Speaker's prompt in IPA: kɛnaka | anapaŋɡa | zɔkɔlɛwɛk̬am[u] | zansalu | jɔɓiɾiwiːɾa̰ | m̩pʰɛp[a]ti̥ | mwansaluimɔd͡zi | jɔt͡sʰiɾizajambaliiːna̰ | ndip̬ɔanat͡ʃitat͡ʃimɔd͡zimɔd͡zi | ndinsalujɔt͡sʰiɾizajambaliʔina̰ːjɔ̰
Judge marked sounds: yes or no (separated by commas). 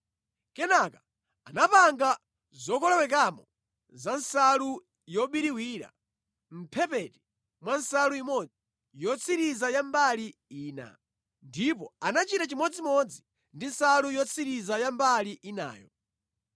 no, no